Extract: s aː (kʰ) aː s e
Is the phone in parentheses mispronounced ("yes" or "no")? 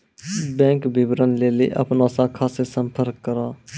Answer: no